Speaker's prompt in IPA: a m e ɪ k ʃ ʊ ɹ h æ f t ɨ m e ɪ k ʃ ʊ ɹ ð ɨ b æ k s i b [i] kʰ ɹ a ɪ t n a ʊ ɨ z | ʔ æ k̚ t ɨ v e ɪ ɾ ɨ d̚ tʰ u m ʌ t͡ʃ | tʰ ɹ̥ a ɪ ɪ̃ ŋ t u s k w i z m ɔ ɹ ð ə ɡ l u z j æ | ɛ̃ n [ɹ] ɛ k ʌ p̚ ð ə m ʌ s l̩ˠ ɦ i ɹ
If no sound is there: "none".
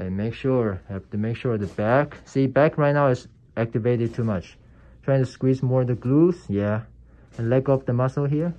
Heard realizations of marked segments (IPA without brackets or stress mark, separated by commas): æ, l